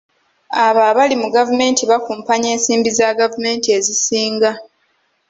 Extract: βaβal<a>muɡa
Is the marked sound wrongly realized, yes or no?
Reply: yes